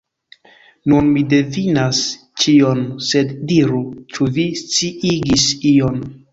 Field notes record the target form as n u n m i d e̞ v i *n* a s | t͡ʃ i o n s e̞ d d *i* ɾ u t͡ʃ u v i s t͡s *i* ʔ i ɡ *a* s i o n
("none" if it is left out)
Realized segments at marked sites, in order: n, i, i, i

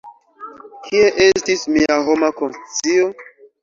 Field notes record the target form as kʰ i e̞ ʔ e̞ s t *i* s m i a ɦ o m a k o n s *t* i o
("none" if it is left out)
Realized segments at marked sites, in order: i, t͡s

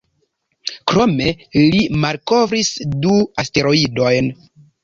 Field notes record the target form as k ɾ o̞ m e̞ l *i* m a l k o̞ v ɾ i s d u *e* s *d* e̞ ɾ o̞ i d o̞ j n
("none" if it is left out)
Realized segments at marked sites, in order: i, a, t

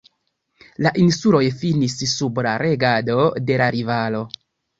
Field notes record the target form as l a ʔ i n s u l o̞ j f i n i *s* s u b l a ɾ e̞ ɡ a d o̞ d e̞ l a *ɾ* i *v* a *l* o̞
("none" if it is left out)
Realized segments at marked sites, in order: s, ɾ, v, l

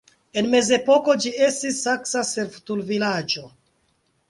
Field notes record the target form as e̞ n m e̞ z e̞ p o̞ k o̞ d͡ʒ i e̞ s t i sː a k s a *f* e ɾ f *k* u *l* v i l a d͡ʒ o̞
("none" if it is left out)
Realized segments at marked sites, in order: s, t, l

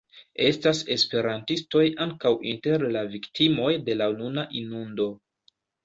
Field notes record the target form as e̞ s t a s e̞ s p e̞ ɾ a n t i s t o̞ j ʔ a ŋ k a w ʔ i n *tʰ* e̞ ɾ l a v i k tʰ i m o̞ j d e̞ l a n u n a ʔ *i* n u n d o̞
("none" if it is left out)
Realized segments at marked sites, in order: t, i

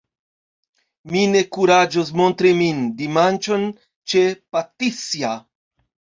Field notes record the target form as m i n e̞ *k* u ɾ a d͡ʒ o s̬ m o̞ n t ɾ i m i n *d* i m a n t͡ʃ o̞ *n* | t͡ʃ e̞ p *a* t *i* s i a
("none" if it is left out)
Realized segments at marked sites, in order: k, d, n, a, i

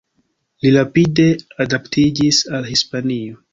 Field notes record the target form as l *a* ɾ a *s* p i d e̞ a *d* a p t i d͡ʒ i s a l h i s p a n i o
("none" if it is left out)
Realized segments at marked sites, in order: i, none, d

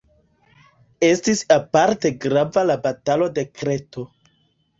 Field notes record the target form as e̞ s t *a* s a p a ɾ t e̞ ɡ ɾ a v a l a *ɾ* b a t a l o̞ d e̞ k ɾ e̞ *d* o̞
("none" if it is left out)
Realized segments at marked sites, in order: i, none, t

